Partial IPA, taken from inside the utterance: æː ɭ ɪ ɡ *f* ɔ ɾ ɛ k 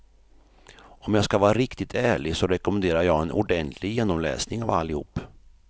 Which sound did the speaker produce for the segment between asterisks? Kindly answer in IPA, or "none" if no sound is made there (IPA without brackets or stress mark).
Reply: s